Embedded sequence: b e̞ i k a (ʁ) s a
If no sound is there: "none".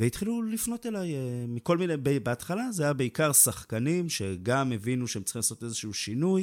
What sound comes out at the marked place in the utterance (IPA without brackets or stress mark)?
ʁ